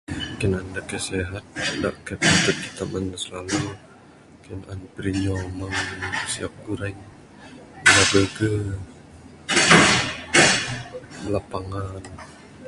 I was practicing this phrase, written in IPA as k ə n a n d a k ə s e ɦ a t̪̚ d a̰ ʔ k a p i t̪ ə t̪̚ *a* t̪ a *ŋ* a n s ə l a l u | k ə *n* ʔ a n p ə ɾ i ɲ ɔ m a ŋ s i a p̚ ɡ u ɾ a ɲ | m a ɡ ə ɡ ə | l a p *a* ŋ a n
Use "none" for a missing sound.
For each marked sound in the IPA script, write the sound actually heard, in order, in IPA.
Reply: i, m, n, a

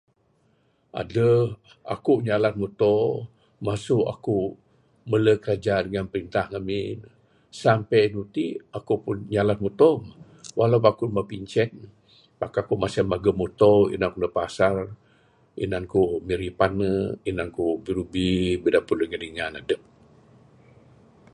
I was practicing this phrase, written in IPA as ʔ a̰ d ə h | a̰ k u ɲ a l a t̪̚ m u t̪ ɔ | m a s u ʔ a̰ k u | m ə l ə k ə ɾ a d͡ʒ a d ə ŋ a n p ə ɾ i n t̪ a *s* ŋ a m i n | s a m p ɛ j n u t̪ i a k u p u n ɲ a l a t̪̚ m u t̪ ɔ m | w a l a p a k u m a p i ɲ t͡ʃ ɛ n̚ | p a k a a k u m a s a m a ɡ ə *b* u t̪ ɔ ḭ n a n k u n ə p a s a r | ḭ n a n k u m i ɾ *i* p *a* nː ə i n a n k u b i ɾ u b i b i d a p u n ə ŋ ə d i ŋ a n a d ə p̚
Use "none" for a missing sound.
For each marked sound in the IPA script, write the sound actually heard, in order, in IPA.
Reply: h, m, i, a

